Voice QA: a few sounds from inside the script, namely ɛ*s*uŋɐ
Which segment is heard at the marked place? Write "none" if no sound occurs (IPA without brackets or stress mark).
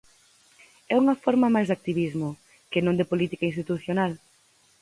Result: none